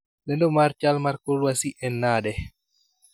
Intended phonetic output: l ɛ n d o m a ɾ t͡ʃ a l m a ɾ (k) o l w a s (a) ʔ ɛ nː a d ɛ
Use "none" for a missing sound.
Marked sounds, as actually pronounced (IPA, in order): k, i

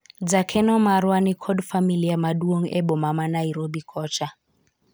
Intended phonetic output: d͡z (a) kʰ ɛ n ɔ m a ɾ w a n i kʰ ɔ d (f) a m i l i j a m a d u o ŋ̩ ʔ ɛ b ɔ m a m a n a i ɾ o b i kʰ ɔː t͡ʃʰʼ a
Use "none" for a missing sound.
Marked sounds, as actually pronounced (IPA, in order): a, f

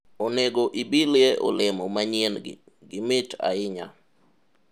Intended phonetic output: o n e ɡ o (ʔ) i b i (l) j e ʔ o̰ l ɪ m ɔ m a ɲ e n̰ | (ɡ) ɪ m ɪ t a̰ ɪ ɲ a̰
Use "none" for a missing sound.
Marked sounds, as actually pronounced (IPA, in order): ʔ, l, ɡ

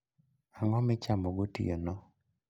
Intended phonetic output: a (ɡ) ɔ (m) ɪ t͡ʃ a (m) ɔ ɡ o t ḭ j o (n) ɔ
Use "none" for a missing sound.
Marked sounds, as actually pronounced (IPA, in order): ŋ, m, m, n

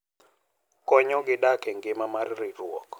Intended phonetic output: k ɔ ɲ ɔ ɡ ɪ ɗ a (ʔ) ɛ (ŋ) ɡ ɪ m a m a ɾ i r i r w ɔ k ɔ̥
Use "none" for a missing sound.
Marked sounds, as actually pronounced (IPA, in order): k, ŋ

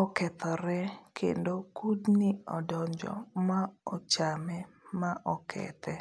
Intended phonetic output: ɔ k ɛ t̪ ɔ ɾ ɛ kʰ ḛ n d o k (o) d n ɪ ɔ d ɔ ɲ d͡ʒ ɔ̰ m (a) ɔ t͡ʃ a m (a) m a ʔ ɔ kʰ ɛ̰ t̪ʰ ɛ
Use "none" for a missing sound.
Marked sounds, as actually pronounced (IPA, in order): u, a, ɛ

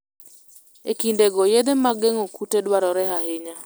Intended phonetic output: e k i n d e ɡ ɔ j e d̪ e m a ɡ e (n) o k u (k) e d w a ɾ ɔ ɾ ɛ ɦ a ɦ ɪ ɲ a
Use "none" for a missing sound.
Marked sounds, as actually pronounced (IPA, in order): ŋ, t

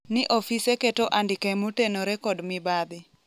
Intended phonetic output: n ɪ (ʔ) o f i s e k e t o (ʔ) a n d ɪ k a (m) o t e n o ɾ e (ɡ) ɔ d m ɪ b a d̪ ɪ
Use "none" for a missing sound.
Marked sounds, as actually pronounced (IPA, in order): ʔ, ʔ, m, k

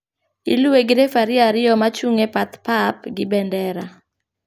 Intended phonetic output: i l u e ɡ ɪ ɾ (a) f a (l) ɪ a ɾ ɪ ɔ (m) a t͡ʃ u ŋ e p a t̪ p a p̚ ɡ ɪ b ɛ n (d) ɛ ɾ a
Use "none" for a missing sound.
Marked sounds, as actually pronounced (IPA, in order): e, ɾ, m, d

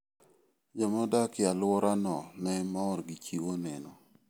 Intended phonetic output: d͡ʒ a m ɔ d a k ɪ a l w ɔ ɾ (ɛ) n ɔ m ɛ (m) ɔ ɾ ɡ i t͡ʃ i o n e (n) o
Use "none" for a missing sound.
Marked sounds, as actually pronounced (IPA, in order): a, m, n

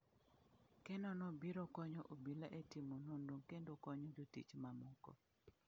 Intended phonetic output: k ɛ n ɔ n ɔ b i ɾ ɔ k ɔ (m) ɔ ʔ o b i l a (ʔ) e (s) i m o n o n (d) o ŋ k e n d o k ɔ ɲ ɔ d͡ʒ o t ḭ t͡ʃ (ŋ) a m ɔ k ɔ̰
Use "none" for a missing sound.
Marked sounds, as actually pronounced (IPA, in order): ɲ, ʔ, t, d, m

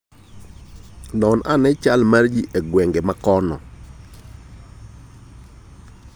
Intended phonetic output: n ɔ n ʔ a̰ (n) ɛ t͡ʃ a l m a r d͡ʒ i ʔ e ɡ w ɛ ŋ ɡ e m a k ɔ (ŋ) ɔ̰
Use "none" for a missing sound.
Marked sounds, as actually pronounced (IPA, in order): n, n

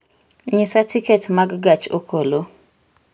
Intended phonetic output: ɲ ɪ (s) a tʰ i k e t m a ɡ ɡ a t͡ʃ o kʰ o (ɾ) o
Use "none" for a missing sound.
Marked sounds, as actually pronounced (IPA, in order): s, l

